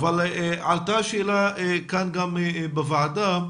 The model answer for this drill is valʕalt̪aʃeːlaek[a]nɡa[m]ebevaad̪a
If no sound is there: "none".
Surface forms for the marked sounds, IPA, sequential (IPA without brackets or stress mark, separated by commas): a, m